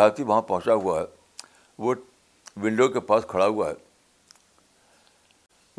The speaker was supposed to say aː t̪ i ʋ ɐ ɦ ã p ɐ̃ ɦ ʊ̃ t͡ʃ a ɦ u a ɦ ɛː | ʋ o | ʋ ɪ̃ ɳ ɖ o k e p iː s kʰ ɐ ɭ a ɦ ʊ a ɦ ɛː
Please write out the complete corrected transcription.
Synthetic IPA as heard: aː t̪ i ʋ ɐ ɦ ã p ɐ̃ ɦ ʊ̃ t͡ʃ a ɦ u a ɦ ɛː | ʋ o | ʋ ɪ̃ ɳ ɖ o k e p aː s kʰ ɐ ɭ a ɦ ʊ a ɦ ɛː